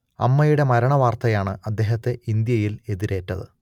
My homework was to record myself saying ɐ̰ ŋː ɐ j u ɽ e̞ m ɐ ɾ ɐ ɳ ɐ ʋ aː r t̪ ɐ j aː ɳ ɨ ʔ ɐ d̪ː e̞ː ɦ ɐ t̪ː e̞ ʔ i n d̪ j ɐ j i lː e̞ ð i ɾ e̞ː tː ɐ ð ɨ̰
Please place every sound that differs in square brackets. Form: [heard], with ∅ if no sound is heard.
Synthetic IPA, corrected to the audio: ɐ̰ [mː] ɐ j u ɽ e̞ m ɐ ɾ ɐ ɳ ɐ ʋ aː r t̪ ɐ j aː ɳ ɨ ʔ ɐ d̪ː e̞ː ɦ ɐ t̪ː e̞ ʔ i n d̪ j ɐ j i [l] e̞ ð i ɾ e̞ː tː ɐ ð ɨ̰